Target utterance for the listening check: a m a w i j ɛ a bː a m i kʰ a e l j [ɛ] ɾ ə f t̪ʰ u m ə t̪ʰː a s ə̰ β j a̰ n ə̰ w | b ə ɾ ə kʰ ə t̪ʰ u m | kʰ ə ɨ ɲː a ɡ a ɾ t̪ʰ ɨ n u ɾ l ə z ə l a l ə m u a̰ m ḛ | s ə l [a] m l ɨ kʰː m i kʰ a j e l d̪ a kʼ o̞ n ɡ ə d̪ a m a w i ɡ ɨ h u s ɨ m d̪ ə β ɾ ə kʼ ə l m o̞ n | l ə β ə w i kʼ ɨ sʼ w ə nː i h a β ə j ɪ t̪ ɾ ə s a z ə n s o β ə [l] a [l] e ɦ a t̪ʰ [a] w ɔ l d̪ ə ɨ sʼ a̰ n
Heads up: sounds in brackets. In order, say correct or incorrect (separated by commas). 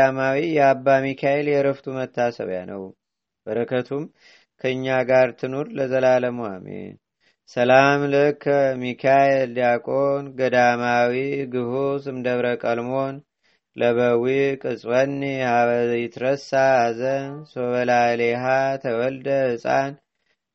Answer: correct, correct, correct, correct, incorrect